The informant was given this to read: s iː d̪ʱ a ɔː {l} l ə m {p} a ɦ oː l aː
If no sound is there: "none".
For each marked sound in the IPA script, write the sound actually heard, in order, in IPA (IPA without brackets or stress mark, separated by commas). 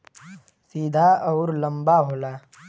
ɾ, b